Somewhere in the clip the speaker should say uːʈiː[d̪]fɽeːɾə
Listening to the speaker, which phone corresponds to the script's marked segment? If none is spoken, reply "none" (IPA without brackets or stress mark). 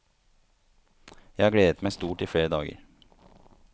none